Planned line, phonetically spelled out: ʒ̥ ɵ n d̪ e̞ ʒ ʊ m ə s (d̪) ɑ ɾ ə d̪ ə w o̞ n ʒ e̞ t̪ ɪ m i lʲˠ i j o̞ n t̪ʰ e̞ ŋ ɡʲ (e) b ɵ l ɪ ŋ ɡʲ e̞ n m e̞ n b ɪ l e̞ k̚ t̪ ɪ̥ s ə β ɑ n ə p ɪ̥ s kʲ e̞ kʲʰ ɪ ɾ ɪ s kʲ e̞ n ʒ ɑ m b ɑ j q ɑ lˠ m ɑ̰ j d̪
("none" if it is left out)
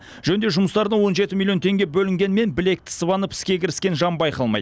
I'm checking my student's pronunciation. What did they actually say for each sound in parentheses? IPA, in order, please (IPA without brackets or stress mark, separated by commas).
t̪, e